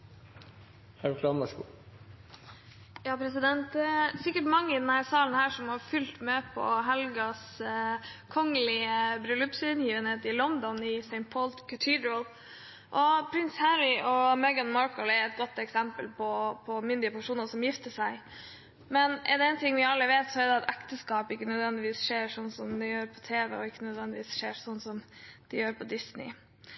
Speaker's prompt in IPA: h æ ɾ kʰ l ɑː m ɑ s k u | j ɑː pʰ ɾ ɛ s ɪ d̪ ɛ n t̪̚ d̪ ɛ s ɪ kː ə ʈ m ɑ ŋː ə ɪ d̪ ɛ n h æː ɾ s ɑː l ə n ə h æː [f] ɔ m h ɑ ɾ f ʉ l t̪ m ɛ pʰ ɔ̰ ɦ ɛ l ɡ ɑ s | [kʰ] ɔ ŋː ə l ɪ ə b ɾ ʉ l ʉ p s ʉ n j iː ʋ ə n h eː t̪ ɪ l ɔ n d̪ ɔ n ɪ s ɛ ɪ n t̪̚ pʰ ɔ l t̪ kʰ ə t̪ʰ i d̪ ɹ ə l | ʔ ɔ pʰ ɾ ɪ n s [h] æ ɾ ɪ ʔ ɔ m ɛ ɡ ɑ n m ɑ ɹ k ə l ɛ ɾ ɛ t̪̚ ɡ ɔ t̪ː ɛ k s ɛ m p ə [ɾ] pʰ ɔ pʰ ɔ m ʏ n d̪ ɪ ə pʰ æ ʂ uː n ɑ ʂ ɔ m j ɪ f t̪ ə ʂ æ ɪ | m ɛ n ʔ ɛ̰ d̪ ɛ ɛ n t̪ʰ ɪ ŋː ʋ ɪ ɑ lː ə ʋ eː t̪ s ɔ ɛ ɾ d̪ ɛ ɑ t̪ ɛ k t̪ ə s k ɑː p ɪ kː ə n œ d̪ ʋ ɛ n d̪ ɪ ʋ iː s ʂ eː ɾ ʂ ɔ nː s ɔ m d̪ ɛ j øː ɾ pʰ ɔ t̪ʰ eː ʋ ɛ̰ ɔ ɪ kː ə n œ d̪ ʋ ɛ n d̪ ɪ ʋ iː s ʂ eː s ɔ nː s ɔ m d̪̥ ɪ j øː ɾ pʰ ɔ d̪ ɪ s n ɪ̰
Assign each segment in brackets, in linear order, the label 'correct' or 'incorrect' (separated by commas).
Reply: incorrect, correct, correct, incorrect